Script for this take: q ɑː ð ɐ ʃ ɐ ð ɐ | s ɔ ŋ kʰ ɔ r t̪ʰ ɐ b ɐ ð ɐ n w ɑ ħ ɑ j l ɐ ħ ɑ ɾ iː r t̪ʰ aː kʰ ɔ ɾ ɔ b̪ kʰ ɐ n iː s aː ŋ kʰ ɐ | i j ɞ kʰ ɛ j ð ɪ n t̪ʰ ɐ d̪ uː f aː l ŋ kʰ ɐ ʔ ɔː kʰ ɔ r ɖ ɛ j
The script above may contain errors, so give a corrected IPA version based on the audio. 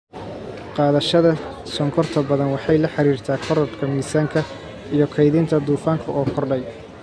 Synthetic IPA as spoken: q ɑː ð ɐ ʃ ɐ ð ɐ | s ɔ ŋ kʰ ɔ r t̪ʰ ɐ b ɐ ð ɐ n w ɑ ħ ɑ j l ɐ ħ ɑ ɾ iː r t̪ʰ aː kʰ ɔ ɾ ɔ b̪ kʰ ɐ m iː s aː ŋ kʰ ɐ | i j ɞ kʰ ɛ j ð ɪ n t̪ʰ ɐ d̪ uː f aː ŋ kʰ ɐ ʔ ɔː kʰ ɔ r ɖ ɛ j